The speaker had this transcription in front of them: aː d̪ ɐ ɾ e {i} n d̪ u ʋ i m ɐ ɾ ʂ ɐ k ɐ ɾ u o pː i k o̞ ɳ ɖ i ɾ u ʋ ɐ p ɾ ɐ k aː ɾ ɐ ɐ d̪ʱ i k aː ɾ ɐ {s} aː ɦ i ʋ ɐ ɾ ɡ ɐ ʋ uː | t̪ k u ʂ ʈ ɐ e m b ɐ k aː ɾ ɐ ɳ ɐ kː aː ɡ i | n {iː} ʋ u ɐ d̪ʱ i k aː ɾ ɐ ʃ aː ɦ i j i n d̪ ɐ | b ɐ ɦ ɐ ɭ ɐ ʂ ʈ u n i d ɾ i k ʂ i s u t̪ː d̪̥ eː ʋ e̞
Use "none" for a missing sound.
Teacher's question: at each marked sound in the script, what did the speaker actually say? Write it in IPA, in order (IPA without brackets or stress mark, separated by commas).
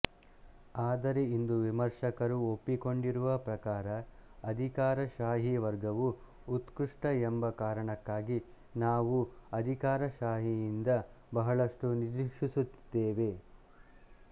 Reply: i, ʃ, aː